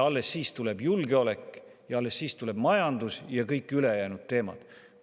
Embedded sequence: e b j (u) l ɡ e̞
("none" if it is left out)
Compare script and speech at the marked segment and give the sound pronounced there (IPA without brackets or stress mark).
u